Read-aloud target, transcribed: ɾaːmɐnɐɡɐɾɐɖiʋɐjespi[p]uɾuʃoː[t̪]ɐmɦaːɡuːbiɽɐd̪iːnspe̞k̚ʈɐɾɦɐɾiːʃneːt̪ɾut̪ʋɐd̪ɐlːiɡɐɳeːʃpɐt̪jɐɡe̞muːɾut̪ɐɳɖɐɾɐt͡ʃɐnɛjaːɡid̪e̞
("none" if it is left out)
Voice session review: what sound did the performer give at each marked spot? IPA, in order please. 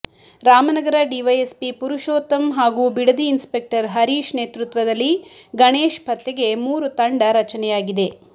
p, t̪

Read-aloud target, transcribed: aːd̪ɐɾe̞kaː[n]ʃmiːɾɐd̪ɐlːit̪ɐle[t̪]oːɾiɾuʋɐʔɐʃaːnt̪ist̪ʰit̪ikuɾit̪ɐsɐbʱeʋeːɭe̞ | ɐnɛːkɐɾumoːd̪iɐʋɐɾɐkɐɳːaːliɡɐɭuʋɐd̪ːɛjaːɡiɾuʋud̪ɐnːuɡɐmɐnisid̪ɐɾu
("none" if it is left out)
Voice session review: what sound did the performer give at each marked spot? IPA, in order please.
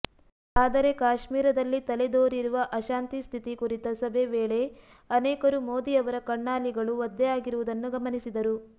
none, d̪

